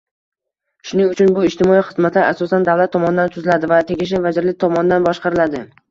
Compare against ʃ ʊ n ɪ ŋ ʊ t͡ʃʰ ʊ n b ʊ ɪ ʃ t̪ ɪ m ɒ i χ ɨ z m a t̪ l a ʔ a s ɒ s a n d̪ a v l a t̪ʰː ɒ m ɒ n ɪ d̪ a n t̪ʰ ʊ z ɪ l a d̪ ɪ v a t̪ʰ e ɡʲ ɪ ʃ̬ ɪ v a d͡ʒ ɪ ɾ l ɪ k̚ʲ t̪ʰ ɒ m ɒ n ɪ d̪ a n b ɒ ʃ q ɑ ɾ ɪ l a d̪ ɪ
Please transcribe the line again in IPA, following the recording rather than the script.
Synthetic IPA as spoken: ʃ ʊ n ɪ ŋ ʊ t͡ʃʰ ʊ n b ʊ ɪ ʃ t̪ ɪ m ɒ i χ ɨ z m a t̪ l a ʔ a s ɒ s a n d̪ a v l a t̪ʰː ɒ m ɒ n ɪ d̪ a n t̪ʰ ʊ z ɪ l a d̪ ɪ v a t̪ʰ e ɡʲ ɪ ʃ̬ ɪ v a d͡ʒ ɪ ɾ l ɪ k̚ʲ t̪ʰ ɒ m ɒ n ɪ d̪ a n b ɒ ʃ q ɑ ɾ ɪ l a d̪ ɪ